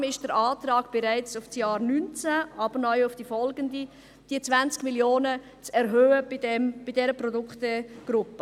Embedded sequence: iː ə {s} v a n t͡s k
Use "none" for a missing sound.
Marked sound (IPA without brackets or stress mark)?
t͡s